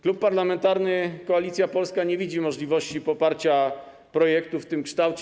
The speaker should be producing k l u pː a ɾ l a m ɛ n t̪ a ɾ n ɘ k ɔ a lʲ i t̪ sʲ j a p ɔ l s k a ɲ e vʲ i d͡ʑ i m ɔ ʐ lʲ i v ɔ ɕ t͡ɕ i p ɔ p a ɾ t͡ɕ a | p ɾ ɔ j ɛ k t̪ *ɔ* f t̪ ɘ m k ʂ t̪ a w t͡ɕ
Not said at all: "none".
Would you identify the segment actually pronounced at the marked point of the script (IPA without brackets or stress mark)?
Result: u